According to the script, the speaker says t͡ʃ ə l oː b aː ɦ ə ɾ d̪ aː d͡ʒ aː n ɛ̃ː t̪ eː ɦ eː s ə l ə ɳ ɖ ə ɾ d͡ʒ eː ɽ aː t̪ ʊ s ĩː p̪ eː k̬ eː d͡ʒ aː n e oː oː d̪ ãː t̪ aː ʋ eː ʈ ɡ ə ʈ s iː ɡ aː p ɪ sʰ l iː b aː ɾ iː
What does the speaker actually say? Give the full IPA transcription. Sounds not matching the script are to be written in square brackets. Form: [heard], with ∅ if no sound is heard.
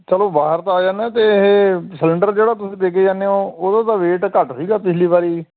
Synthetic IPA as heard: t͡ʃ ə l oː b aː ɦ ə ɾ [t̪] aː d͡ʒ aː n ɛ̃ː t̪ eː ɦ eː s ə l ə ɳ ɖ ə ɾ d͡ʒ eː ɽ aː t̪ ʊ s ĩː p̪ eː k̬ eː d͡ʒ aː n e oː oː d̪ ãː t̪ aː ʋ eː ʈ [k] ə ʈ s iː ɡ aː p ɪ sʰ l iː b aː ɾ iː